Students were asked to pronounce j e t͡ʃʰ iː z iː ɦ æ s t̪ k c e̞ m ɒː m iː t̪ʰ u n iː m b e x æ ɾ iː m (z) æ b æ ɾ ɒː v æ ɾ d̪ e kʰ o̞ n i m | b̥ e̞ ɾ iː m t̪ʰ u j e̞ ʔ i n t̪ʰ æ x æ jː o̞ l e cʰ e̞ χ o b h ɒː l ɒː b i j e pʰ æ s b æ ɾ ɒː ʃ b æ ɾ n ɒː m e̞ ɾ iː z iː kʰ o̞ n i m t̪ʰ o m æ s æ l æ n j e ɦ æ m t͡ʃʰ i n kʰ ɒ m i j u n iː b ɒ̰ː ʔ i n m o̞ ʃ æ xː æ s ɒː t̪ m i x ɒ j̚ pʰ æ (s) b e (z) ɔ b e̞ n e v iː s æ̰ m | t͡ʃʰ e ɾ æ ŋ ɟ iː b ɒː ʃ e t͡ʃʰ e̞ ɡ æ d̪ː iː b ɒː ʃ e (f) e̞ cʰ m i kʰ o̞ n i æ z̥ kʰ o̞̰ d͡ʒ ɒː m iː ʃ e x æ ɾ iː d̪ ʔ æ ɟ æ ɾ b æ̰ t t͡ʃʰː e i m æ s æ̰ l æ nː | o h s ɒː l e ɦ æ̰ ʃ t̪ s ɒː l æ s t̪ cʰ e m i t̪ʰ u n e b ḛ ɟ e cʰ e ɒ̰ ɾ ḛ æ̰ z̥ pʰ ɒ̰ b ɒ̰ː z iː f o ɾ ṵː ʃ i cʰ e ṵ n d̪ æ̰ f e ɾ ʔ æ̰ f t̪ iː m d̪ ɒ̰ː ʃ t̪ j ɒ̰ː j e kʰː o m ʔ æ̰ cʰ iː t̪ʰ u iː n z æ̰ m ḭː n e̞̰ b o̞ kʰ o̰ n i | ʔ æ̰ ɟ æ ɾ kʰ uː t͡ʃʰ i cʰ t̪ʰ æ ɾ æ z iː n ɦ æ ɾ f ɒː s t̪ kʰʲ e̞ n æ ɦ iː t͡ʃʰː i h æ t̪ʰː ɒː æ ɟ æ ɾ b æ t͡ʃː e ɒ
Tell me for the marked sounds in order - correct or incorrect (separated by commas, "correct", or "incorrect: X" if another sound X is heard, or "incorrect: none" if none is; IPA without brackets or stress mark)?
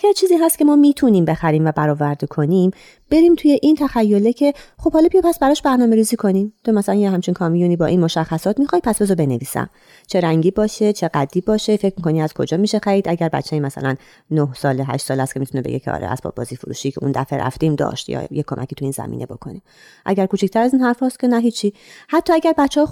incorrect: v, correct, correct, correct